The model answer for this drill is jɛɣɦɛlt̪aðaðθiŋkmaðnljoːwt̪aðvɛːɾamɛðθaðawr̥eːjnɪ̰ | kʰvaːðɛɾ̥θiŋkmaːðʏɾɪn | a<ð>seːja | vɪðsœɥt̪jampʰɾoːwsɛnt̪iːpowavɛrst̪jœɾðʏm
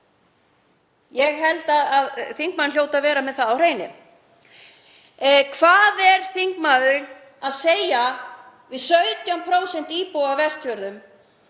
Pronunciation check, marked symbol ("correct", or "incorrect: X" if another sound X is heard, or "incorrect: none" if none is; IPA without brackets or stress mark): correct